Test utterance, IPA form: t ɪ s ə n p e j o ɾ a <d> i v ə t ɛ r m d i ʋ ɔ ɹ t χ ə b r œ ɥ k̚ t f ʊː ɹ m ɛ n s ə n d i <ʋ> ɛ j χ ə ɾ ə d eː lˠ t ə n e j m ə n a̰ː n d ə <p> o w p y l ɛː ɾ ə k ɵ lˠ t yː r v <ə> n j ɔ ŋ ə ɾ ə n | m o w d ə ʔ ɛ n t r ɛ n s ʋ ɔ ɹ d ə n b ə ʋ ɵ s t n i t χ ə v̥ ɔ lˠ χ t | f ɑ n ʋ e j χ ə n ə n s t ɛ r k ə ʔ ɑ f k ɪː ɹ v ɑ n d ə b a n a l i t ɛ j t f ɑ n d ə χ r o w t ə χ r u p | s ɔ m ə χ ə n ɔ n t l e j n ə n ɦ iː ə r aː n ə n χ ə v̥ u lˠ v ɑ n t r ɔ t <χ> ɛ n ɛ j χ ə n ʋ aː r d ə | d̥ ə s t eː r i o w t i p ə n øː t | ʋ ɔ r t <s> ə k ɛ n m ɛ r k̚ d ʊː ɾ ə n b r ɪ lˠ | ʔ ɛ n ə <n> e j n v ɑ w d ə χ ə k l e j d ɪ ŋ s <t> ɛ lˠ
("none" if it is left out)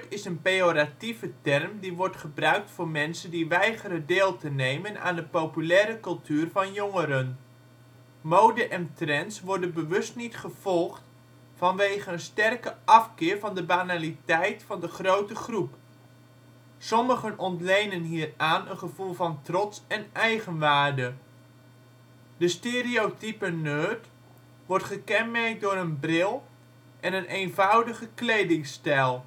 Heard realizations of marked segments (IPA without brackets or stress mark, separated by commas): t, ʋ, p, ɑ, s, χ, n, t